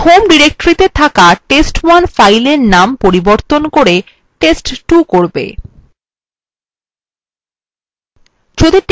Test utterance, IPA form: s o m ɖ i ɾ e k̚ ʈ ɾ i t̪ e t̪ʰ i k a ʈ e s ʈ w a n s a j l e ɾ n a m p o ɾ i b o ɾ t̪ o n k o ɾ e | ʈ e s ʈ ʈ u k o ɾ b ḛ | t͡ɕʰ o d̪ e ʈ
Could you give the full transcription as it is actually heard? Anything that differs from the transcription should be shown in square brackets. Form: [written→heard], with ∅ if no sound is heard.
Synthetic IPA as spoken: [s→h] o m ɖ i ɾ e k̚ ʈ ɾ i t̪ e t̪ʰ [i→a] k a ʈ e s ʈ w a n [s→f] a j l e ɾ n a m p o ɾ i b o ɾ t̪ o n k o ɾ e | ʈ e s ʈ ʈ u k o ɾ b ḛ | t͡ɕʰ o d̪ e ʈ